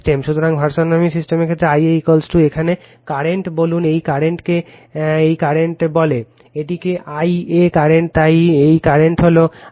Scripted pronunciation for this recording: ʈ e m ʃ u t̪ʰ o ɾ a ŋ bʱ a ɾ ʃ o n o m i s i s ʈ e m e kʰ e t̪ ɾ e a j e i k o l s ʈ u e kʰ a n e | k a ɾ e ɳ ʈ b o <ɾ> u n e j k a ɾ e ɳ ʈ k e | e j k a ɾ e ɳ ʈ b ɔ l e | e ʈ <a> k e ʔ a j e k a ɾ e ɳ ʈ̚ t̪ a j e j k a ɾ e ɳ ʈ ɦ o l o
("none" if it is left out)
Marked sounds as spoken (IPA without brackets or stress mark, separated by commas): l, i